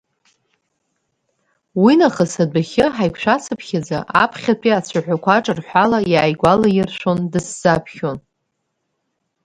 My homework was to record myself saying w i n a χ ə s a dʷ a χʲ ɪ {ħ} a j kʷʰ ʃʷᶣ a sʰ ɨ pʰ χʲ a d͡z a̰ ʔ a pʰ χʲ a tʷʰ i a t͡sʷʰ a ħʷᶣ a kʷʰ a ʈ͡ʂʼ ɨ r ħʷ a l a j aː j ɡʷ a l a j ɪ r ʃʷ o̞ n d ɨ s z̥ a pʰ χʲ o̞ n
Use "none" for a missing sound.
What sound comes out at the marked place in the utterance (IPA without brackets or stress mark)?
ħ